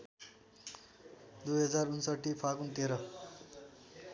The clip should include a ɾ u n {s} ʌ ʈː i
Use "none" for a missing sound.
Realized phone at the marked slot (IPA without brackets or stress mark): s